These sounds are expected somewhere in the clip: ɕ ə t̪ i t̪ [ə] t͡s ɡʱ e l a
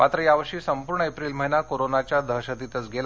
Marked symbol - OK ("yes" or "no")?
yes